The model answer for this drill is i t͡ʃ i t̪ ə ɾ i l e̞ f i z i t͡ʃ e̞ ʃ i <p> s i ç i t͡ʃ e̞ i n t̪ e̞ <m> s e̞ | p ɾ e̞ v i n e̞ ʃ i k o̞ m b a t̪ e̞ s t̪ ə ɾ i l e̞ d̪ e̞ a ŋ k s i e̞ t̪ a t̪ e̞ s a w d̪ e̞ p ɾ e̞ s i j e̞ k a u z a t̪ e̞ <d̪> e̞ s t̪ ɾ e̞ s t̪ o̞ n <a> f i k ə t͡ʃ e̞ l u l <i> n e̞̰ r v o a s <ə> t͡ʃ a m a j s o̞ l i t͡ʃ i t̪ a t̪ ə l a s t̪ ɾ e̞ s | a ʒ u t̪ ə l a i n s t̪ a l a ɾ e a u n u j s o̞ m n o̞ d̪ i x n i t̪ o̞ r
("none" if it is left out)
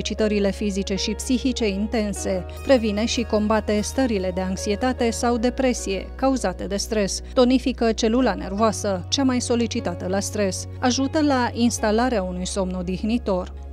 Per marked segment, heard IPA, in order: p, n, d̪, i, a, ə

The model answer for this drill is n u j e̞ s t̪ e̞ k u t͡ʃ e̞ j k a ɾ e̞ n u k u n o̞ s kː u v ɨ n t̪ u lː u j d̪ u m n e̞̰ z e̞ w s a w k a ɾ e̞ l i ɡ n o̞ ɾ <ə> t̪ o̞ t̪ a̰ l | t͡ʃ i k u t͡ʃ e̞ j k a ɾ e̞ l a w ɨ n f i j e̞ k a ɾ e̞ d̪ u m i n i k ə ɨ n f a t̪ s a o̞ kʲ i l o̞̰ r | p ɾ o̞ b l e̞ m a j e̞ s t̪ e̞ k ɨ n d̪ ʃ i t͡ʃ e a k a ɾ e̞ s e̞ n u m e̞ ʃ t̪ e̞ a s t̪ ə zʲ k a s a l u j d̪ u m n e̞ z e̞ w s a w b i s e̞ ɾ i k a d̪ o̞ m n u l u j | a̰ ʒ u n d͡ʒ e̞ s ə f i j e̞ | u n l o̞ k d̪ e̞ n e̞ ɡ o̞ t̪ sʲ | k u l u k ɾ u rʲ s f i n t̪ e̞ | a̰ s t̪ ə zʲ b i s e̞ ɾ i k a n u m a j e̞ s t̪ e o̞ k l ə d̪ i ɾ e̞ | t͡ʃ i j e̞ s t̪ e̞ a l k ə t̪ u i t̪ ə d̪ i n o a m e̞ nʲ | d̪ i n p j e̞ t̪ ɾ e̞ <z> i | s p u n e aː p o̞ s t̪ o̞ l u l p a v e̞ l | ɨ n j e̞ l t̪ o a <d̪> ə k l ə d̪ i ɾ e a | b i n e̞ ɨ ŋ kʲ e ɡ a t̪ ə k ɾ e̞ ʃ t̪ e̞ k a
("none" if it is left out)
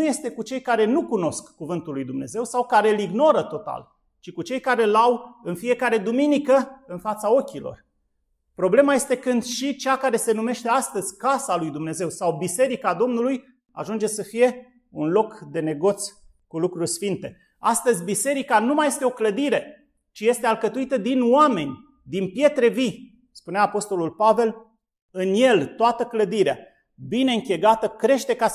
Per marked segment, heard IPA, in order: ə, v, t̪

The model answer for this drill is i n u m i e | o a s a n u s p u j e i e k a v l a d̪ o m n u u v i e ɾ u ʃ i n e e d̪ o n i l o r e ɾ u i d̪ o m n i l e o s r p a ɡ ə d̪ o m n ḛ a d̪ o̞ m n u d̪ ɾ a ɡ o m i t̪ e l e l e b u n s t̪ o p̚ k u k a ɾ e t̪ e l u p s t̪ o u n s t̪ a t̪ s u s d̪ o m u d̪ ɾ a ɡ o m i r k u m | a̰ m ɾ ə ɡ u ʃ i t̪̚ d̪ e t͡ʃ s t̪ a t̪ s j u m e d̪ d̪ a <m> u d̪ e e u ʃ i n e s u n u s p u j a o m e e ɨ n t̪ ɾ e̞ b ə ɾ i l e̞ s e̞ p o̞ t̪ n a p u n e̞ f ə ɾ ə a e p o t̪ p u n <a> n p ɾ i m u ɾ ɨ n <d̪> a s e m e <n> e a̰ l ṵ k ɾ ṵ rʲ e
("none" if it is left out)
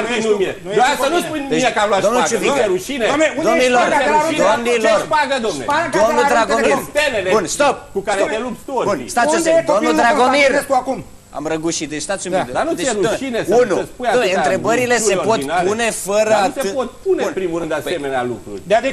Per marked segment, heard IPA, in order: n, e, d̪, n

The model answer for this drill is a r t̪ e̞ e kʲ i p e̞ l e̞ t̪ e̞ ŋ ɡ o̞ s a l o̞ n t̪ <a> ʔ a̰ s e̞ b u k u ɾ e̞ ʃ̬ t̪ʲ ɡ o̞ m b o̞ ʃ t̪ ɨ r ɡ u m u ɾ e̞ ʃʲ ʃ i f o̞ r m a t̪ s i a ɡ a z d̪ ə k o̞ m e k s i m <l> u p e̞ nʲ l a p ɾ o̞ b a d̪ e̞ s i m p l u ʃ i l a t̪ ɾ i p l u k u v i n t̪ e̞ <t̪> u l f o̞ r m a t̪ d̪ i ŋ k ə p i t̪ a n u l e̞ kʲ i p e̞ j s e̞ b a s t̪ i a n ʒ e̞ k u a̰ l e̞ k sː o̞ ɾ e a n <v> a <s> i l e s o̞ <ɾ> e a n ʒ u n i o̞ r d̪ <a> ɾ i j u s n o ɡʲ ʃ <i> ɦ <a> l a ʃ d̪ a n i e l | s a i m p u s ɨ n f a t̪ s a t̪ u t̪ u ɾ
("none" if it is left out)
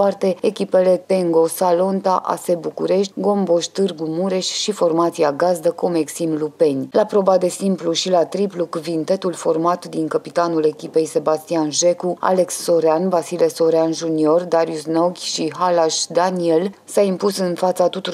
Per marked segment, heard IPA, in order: a, l, t̪, v, s, ɾ, a, i, a

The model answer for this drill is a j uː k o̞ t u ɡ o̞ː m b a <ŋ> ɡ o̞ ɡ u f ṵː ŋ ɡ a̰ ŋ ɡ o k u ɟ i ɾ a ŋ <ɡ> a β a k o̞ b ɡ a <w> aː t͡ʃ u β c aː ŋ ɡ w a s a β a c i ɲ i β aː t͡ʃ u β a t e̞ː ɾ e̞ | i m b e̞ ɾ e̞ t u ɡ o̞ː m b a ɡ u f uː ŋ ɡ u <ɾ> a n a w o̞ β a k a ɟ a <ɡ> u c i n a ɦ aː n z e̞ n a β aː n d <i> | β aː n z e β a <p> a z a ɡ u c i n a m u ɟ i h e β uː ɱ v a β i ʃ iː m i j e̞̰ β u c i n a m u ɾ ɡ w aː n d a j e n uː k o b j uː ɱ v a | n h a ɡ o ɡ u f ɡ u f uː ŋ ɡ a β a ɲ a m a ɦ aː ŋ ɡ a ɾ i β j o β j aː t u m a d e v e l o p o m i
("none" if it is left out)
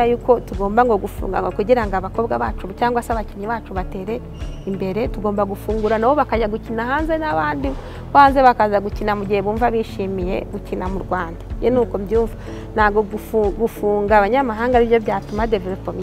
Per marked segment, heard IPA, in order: ŋ, ɡ, β, ɾ, ɡ, i, k

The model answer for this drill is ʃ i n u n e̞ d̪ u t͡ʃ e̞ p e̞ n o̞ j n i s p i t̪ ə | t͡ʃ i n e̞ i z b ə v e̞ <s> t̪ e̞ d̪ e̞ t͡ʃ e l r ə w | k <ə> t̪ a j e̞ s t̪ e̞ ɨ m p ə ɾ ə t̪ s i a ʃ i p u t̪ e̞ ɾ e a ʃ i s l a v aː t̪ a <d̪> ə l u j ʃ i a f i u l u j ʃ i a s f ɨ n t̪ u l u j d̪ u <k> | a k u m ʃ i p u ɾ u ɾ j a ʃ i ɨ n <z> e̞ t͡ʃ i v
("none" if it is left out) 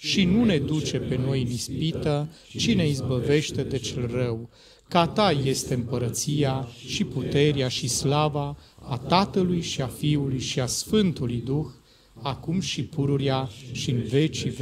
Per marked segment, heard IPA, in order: ʃ, a, t̪, x, v

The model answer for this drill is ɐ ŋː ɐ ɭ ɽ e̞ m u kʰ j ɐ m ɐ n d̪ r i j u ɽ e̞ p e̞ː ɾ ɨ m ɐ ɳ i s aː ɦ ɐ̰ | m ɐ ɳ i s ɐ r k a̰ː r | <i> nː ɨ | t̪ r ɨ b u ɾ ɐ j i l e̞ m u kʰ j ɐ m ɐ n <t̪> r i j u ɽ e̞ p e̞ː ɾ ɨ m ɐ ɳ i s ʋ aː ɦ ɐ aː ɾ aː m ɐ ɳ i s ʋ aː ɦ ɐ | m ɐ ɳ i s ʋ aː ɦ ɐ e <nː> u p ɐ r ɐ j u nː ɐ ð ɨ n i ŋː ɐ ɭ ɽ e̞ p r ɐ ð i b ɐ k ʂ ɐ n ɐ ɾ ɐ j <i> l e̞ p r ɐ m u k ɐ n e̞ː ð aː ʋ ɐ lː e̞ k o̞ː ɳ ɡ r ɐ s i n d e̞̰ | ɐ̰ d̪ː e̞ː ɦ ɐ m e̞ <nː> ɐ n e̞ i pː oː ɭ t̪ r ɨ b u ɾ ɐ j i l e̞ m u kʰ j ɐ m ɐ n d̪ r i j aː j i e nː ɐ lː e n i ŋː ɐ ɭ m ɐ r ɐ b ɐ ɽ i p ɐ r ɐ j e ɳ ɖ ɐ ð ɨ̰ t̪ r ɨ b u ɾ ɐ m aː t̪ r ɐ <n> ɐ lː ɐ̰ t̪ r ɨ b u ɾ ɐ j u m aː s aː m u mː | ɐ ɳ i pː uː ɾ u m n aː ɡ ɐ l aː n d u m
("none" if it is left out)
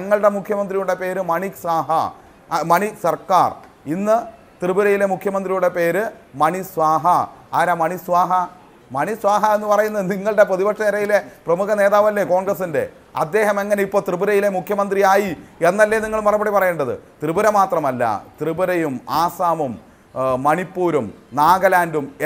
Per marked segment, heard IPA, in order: i, d̪, nː, i, ŋː, m

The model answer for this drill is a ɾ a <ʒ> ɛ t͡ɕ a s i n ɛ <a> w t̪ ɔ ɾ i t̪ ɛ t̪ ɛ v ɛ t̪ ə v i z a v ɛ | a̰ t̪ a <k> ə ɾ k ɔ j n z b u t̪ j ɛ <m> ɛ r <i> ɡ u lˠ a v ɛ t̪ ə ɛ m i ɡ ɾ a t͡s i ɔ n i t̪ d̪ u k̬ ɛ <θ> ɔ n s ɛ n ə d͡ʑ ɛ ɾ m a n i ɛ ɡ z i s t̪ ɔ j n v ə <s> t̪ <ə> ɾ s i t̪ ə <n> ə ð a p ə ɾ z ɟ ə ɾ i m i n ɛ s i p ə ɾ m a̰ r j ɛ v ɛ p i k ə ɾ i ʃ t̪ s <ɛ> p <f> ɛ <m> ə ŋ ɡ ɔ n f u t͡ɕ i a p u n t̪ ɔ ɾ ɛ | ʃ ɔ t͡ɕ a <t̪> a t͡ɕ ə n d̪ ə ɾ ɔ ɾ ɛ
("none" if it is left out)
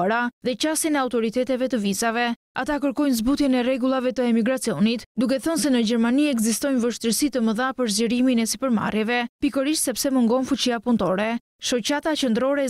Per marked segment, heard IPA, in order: ð, a, k, n, ɛ, θ, ʃ, ə, m, ɛ, s, m, t̪

